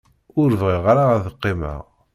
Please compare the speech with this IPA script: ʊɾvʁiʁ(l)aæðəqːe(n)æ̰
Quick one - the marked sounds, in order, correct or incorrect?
incorrect: ɾ, incorrect: m

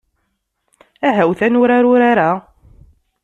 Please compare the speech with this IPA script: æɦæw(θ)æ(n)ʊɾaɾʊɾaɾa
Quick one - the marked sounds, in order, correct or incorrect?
correct, correct

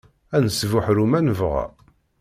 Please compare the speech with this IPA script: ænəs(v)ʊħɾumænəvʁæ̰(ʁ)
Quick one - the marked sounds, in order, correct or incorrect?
correct, incorrect: none

